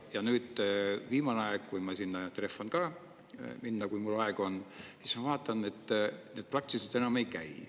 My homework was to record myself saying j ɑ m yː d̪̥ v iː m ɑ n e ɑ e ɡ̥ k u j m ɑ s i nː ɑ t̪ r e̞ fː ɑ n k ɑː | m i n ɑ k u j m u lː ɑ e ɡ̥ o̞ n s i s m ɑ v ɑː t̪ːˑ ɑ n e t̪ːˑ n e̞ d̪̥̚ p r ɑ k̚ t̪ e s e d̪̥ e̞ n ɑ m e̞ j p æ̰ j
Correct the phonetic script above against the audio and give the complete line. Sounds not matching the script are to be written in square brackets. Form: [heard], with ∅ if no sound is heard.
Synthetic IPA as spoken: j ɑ [n] yː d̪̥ v iː m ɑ n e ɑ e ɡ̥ k u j m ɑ s i nː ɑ t̪ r e̞ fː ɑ n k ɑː | m i [nː] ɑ k u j m u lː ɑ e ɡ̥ o̞ n s i s m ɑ v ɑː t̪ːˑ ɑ n e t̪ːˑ n e̞ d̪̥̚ p r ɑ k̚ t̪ [i] s e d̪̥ e̞ n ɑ m e̞ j [k] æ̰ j

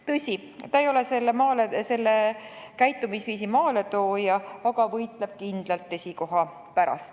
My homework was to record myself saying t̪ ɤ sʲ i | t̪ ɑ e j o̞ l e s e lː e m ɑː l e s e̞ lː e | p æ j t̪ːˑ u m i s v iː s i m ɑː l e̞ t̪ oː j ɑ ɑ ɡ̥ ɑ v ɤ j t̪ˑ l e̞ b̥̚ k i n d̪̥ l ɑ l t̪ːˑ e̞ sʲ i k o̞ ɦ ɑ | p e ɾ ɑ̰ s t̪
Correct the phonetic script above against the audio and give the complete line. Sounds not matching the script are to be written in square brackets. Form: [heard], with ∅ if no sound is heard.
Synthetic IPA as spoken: t̪ ɤ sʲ i | t̪ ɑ e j o̞ l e s e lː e m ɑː l e s e̞ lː e | [k] æ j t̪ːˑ u m i s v iː s i m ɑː l e̞ t̪ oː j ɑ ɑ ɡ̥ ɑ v ɤ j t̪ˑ l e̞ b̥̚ k i n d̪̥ l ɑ l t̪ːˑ e̞ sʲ i k o̞ ɦ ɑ | p [æ] ɾ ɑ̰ s t̪

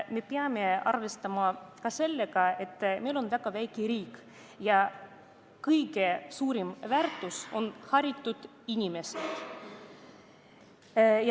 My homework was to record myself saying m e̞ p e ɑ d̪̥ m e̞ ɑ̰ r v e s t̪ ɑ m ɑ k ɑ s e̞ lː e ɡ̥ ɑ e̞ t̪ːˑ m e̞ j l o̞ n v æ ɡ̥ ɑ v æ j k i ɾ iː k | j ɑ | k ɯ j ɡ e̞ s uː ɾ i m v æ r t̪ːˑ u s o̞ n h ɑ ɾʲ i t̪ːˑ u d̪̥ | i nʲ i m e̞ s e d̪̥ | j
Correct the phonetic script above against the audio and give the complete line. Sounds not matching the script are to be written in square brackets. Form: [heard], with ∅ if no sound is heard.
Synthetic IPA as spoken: m e̞ p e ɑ [∅] m e̞ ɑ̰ r v e s t̪ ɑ m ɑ k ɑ s e̞ lː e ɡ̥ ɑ e̞ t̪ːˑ m e̞ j l o̞ n v æ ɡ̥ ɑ v æ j k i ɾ iː k | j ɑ | k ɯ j ɡ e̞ s uː ɾ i m v æ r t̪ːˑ u s o̞ n h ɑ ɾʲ i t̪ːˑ u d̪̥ | i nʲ i m e̞ s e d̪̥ | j

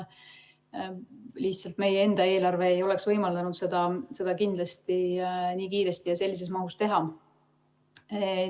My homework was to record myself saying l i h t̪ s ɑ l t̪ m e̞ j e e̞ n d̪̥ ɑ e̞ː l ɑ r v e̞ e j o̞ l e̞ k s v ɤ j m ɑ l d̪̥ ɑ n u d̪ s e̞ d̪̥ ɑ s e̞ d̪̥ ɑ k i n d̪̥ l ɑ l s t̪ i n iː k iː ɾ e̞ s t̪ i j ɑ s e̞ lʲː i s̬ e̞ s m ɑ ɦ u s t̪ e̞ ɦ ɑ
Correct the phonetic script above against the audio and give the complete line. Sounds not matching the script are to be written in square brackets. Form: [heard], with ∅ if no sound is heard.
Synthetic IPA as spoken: l i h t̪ s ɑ l t̪ m e̞ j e e̞ n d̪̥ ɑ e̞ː l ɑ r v e̞ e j o̞ l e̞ k s v ɤ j m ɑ l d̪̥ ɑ n u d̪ s e̞ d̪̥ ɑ s e̞ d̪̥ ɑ k i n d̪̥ l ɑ [∅] s t̪ i n iː k iː ɾ e̞ s t̪ i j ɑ s e̞ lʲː i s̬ e̞ s m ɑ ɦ u s t̪ e̞ ɦ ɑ

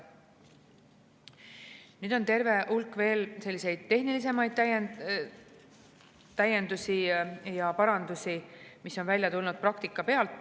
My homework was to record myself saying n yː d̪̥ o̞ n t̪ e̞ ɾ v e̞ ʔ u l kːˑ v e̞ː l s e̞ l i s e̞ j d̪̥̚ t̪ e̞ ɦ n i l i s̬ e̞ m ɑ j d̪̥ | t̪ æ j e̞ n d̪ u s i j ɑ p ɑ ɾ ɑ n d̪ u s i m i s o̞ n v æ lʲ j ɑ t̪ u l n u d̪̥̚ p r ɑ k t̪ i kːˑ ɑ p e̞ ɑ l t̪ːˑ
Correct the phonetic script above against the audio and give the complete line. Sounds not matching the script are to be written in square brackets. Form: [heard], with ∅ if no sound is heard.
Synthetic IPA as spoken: n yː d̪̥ o̞ n t̪ e̞ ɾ v e̞ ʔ u l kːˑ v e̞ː l s e̞ [lː] i s e̞ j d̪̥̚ t̪ e̞ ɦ n i l i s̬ e̞ m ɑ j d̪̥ | t̪ æ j e̞ n d̪ u s i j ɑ p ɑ ɾ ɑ n d̪ u s i m i s o̞ n v æ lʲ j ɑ t̪ u l n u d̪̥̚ p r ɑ k t̪ i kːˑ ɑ p e̞ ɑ l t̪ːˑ

